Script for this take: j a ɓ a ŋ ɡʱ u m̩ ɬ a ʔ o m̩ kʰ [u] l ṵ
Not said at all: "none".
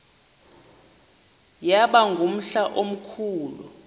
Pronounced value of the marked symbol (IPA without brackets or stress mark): uː